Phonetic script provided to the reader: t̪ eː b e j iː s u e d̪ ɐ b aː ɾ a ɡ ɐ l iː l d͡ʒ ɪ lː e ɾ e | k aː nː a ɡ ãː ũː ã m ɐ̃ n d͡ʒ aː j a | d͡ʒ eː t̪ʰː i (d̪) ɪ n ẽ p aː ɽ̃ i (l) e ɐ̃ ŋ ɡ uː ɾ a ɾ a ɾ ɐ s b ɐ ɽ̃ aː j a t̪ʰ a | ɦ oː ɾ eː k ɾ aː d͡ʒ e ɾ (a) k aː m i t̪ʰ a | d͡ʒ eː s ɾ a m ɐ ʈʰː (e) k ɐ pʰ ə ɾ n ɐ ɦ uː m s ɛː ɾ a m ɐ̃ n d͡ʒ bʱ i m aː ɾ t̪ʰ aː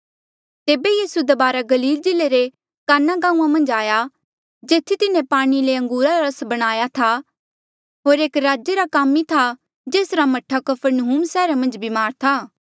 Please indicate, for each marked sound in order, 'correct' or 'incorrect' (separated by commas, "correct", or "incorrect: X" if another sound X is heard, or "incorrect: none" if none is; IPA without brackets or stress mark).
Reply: incorrect: t̪, correct, correct, incorrect: a